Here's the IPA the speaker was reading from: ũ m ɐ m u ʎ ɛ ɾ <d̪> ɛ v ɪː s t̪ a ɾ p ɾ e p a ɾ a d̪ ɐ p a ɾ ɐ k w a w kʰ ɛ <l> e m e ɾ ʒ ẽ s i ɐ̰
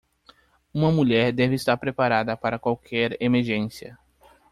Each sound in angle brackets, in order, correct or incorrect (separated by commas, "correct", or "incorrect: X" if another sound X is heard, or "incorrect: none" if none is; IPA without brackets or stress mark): correct, incorrect: ɾ